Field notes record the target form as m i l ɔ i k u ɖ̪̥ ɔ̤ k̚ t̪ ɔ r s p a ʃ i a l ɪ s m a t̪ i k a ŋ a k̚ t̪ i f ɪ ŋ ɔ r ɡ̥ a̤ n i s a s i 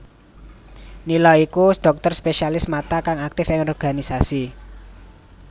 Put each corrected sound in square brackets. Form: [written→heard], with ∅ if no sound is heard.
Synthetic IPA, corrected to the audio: [m→n] i l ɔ i k u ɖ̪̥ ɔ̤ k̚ t̪ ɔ r s p [a→e] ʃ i a l ɪ s m a t̪ [i→a] k a ŋ a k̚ t̪ [i→ɪ] f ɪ ŋ ɔ r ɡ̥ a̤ n i s a s i